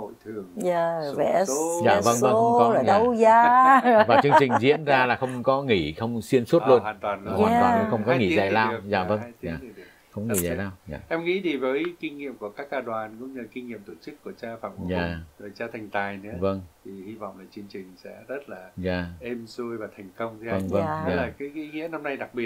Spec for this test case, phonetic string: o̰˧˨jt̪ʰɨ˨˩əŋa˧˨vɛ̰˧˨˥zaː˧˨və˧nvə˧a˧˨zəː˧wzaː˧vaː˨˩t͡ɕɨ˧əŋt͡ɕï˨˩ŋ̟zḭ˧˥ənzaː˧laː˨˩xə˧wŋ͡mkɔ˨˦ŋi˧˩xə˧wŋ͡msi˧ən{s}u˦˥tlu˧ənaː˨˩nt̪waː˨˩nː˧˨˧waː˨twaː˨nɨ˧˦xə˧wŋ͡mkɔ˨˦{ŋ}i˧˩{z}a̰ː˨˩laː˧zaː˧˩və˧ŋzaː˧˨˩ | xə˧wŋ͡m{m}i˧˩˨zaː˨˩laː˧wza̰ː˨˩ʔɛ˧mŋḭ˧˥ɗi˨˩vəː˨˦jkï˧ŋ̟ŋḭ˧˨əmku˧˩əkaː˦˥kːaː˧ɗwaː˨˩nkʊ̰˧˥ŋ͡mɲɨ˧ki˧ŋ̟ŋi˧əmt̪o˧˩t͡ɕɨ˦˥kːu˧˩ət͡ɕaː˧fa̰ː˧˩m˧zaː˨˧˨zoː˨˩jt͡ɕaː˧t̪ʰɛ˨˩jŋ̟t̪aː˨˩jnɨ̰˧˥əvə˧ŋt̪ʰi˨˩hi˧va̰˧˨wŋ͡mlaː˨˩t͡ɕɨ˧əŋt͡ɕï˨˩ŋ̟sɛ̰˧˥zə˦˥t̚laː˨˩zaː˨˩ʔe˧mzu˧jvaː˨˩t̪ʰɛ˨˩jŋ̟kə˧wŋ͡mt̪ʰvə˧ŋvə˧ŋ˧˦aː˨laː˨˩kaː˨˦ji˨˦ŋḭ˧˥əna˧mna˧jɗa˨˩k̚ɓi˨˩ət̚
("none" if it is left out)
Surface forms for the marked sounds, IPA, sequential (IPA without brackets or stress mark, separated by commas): s, ŋ, z, ŋ